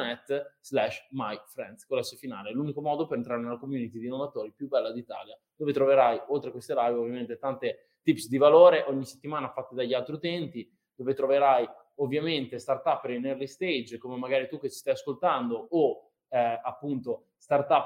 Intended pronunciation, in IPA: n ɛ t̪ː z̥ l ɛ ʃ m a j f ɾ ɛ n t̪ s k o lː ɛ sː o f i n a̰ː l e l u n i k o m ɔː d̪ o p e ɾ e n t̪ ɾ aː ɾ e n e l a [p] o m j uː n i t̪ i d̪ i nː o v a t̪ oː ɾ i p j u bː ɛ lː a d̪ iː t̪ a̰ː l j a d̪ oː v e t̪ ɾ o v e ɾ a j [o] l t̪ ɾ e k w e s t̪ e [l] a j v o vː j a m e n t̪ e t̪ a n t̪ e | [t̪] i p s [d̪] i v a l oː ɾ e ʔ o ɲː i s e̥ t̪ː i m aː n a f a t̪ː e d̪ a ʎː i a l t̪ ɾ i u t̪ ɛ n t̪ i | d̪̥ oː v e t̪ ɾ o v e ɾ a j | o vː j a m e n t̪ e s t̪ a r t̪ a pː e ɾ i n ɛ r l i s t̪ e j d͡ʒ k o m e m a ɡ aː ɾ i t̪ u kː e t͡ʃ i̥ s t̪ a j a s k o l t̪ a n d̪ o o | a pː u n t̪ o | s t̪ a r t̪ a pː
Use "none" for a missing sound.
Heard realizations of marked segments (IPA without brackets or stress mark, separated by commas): k, o, l, t̪, d̪